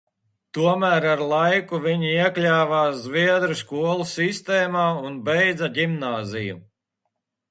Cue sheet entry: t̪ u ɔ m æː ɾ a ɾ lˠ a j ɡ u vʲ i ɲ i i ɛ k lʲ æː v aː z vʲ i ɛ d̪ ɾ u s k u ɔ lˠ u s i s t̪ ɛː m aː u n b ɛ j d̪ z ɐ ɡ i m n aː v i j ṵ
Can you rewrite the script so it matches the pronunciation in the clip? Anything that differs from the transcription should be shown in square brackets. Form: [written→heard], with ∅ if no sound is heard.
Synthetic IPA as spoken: t̪ u ɔ m æː ɾ a ɾ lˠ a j [ɡ→k] u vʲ i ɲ i i ɛ k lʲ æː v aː z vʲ i ɛ d̪ ɾ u s k u ɔ lˠ u s i s t̪ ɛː m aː u n b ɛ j d̪ z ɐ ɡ i m n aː [v→z] i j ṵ

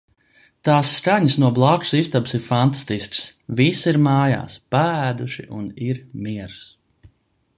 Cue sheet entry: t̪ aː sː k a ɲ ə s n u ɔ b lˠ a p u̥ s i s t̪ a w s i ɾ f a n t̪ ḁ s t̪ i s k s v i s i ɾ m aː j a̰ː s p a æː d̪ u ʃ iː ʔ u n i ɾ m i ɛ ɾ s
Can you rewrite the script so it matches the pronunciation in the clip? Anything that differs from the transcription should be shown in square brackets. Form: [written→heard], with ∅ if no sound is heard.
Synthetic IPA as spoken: t̪ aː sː k a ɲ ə s n u ɔ b lˠ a [p→k] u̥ s i s t̪ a [w→b] s i ɾ f a n t̪ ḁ s t̪ i s k s v i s i ɾ m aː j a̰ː s p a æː d̪ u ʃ [iː→i] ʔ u n i ɾ m i ɛ ɾ s

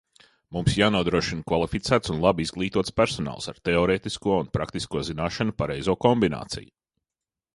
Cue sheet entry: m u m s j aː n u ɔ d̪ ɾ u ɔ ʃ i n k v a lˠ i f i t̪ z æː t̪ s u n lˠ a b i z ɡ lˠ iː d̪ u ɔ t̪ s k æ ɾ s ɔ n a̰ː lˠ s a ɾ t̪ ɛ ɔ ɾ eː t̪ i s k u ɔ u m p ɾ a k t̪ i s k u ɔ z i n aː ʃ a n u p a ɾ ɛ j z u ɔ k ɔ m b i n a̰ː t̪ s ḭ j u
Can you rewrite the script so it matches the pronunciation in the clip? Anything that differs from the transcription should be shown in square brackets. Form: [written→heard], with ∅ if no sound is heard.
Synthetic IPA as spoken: m u m s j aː n u ɔ d̪ ɾ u ɔ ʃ i n k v a lˠ i f i t̪ [z→s] æː t̪ s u n lˠ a b i z ɡ lˠ iː [d̪→t̪] u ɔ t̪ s [k→p] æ ɾ s ɔ n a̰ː lˠ s a ɾ t̪ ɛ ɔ ɾ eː t̪ i s k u ɔ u [m→n] p ɾ a k t̪ i s k u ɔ z i n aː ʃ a n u p a ɾ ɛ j z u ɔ k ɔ m b i n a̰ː t̪ s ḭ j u

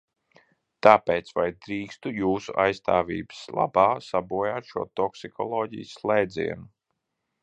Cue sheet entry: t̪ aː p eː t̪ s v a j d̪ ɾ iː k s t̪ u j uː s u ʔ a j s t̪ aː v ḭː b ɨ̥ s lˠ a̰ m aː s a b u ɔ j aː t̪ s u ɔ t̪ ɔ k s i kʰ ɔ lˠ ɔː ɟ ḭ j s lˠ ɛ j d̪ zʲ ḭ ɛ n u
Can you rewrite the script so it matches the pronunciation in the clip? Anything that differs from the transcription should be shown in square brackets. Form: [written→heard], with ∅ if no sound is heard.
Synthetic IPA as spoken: t̪ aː p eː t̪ s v a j d̪ ɾ iː k s t̪ u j uː s u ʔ a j s t̪ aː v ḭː b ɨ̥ s lˠ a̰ [m→b] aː s a b u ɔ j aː t̪ [s→ʃ] u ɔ t̪ ɔ k s i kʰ ɔ lˠ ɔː ɟ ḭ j s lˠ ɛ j d̪ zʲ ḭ ɛ n u

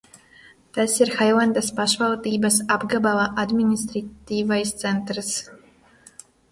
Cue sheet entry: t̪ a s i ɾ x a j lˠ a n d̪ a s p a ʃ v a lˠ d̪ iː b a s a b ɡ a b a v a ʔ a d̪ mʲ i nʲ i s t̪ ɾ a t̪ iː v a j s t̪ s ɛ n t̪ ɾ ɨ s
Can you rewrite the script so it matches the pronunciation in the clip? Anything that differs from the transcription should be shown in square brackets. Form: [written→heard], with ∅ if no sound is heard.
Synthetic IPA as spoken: t̪ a s i ɾ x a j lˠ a n d̪ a s p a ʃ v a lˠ d̪ iː b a s a b ɡ a b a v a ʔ a d̪ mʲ i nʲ i s t̪ ɾ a t̪ iː v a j s t̪ s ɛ n t̪ ɾ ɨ s

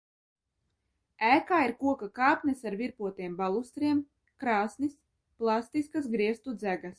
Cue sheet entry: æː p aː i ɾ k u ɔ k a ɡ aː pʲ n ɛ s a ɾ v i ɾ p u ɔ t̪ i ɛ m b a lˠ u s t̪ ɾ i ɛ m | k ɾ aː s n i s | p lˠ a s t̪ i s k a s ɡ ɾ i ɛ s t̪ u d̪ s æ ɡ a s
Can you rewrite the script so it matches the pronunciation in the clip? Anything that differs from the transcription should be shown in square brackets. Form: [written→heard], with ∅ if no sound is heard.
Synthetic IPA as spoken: æː [p→k] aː i ɾ k u ɔ k a [ɡ→k] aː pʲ n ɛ s a ɾ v i ɾ p u ɔ t̪ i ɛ m b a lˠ u s t̪ ɾ i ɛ m | k ɾ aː s n i s | p lˠ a s t̪ i s k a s ɡ ɾ i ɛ s t̪ u d̪ [s→z] æ ɡ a s

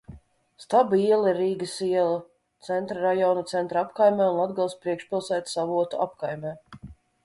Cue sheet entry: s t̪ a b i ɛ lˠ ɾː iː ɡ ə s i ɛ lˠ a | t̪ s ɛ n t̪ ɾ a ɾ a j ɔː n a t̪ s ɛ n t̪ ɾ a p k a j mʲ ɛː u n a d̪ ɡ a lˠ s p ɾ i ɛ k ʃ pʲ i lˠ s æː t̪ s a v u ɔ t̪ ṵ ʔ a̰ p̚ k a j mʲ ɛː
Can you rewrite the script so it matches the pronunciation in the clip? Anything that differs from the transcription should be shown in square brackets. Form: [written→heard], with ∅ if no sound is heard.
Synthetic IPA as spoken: s t̪ a b i ɛ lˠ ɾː iː ɡ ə s i ɛ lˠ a | t̪ s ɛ n t̪ ɾ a ɾ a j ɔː n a t̪ s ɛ n t̪ ɾ a p k a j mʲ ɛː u n a d̪ ɡ a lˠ s p ɾ i ɛ k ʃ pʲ i lˠ s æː t̪ s a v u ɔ t̪ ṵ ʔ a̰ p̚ k a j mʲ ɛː

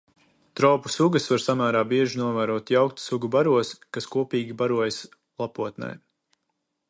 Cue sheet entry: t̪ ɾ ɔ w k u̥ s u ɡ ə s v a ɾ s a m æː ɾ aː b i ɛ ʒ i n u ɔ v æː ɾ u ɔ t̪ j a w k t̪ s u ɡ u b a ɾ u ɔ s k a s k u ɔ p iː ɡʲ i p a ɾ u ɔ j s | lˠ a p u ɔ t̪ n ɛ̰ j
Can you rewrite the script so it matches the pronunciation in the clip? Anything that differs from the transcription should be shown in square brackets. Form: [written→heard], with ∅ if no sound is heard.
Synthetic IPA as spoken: t̪ ɾ ɔ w [k→p] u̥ s u ɡ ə s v a ɾ s a m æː ɾ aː b i ɛ ʒ i n u ɔ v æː ɾ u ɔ t̪ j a w k t̪ s u ɡ u b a ɾ u ɔ s k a s k u ɔ p iː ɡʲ i [p→b] a ɾ u ɔ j s | lˠ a p u ɔ t̪ n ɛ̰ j

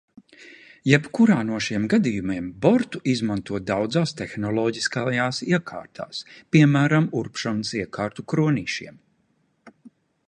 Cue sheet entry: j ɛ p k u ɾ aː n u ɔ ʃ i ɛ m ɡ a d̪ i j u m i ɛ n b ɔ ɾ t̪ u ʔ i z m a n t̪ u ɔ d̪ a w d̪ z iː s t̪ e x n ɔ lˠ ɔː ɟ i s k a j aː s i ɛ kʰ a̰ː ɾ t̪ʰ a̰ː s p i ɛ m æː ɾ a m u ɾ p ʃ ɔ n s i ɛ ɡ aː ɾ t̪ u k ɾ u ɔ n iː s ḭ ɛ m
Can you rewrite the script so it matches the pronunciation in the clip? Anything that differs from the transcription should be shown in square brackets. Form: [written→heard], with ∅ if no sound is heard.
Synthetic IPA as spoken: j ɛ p k u ɾ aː n u ɔ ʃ i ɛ m ɡ a d̪ i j u m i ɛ [n→m] b ɔ ɾ t̪ u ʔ i z m a n t̪ u ɔ d̪ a w d̪ z [iː→aː] s t̪ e x n ɔ lˠ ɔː ɟ i s k a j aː s i ɛ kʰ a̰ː ɾ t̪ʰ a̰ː s p i ɛ m æː ɾ a m u ɾ p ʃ ɔ n s i ɛ [ɡ→k] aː ɾ t̪ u k ɾ u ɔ n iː [s→ʃ] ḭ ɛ m

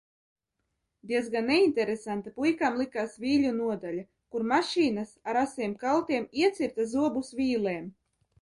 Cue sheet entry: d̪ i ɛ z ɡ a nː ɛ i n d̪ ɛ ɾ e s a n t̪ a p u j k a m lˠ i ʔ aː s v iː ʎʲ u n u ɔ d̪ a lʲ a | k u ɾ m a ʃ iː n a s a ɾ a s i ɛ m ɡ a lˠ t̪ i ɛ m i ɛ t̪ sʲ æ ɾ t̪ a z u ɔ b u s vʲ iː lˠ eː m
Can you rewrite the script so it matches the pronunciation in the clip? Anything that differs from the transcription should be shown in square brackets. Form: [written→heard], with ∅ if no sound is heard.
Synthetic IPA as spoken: d̪ i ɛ z ɡ a nː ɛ i n [d̪→t̪] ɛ ɾ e s a n t̪ a p u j k a m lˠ i [ʔ→k] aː s v iː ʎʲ u n u ɔ d̪ a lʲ a | k u ɾ m a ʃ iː n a s a ɾ a s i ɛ m [ɡ→k] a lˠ t̪ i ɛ m i ɛ t̪ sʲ [æ→i] ɾ t̪ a z u ɔ b u s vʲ iː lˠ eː m

